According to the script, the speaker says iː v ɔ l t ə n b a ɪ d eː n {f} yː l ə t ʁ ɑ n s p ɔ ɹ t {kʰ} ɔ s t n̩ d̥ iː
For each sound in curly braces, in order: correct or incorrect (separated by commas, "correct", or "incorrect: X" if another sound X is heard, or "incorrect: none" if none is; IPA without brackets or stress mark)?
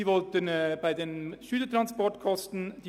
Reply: incorrect: ʃ, correct